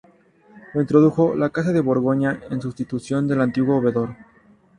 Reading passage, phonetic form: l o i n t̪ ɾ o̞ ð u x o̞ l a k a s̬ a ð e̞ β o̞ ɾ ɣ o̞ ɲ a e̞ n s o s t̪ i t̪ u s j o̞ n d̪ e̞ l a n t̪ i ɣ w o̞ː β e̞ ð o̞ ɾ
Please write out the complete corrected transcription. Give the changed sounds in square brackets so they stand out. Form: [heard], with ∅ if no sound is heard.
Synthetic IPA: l o i n t̪ ɾ o̞ ð u x o̞ l a k a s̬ a ð e̞ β o̞ ɾ ɣ o̞ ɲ a e̞ n s [u] s t̪ i t̪ u s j o̞ n d̪ e̞ l a n t̪ i ɣ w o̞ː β e̞ ð o̞ ɾ